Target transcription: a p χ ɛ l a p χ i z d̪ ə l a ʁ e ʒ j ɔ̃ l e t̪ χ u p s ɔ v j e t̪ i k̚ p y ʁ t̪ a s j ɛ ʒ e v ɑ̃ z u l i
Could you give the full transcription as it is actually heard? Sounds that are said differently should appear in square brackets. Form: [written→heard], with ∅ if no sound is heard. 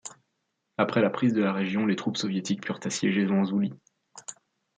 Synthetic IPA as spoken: a p χ ɛ l a p χ i z d̪ ə l a ʁ e ʒ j ɔ̃ l e t̪ χ u p s ɔ v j e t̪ i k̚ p y ʁ t̪ a s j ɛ ʒ e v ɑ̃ z u l i